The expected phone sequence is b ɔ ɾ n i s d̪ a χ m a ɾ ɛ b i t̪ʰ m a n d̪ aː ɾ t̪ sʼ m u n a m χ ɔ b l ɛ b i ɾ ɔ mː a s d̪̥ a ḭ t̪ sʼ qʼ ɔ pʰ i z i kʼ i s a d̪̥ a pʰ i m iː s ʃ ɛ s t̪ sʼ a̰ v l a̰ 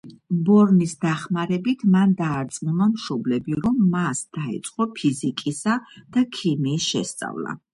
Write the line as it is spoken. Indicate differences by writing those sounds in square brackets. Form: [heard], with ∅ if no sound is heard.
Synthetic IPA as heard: b ɔ ɾ n i s d̪ a χ m a ɾ ɛ b i t̪ʰ m a n d̪ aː ɾ t̪ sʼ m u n a m [ʃ] ɔ b l ɛ b i ɾ ɔ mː a s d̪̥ a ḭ t̪ sʼ qʼ ɔ pʰ i z i kʼ i s a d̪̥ a [kʰ] i m iː s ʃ ɛ s t̪ sʼ a̰ v l a̰